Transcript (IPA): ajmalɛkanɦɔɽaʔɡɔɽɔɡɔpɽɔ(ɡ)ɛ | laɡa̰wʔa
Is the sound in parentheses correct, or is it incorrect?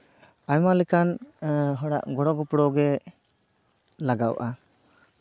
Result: correct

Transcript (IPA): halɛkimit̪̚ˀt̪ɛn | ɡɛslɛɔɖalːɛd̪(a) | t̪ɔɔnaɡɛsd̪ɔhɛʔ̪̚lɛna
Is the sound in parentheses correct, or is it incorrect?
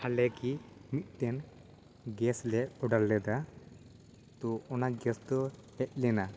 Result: correct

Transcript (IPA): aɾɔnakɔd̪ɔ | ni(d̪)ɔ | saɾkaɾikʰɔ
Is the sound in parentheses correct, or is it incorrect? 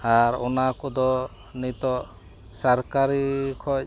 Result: incorrect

